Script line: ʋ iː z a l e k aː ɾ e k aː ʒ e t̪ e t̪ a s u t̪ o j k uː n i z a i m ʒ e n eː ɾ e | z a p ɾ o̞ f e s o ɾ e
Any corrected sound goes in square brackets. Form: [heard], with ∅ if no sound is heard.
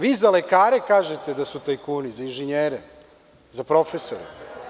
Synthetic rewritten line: ʋ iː z a l e k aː ɾ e k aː ʒ e t̪ e [d̪] a s u t̪ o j k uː n i z a i [n] ʒ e [ɲ] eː ɾ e | z a p ɾ o̞ f e s o ɾ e